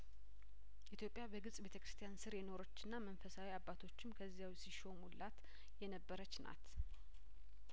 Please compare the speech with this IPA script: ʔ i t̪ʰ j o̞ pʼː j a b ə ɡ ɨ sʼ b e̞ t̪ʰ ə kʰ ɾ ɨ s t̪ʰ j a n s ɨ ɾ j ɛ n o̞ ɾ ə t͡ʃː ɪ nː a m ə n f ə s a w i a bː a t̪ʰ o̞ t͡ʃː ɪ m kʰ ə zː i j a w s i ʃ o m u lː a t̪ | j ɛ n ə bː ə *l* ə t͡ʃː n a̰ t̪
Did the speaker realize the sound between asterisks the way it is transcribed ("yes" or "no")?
no